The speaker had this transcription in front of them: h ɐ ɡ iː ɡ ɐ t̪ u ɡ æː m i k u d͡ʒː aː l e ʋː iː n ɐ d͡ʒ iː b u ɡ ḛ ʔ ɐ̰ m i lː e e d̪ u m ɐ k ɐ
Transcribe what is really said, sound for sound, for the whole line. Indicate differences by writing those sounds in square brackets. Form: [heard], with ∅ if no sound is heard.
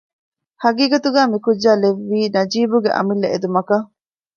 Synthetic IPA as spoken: h ɐ ɡ iː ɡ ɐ t̪ u ɡ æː m i k u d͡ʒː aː l e ʋː iː n ɐ d͡ʒ iː b u ɡ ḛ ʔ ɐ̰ m i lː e e d̪ u m ɐ k ɐ

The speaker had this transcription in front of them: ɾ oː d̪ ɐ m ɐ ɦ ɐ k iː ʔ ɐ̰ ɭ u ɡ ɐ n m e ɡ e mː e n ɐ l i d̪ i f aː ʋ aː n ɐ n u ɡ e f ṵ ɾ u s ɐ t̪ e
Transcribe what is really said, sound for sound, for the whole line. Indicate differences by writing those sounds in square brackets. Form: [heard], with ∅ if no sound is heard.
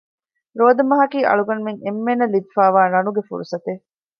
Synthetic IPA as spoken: ɾ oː d̪ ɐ m ɐ ɦ ɐ k iː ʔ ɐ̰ ɭ u ɡ ɐ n m e [ŋ] e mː e n ɐ l i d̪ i f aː ʋ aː n ɐ n u ɡ e f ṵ ɾ u s ɐ t̪ e

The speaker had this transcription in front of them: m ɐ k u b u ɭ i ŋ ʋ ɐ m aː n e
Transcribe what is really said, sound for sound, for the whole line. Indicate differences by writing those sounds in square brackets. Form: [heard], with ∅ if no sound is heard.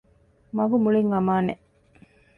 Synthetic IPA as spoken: m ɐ [ɡ] u [m] u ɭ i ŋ ʋ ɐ m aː n e

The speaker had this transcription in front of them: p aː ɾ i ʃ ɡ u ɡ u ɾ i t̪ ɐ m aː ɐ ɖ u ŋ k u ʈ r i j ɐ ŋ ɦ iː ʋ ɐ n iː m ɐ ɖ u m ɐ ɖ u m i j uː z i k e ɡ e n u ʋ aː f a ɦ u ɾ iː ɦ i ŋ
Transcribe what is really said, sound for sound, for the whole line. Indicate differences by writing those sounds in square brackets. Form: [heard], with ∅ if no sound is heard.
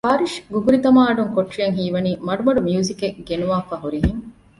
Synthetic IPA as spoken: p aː ɾ i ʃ ɡ u ɡ u ɾ i t̪ ɐ m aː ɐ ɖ u ŋ k [o] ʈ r i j ɐ ŋ ɦ iː ʋ ɐ n iː m ɐ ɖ u m ɐ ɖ u m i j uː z i k e ɡ e n u ʋ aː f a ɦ u ɾ [i] ɦ i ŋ

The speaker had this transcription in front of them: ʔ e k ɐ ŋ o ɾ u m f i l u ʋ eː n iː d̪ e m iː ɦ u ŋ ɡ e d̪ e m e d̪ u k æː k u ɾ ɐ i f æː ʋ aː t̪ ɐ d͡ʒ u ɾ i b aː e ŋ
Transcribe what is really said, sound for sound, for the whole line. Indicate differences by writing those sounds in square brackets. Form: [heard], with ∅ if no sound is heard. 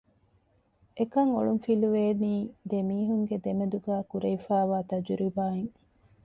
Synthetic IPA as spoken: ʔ e k ɐ ŋ o [ɭ] u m f i l u ʋ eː n iː d̪ e m iː ɦ u ŋ ɡ e d̪ e m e d̪ u [ɡ] æː k u ɾ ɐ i f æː ʋ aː t̪ ɐ d͡ʒ u ɾ i b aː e ŋ

